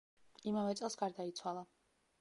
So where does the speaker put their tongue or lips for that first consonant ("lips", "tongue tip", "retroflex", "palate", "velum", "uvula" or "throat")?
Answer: lips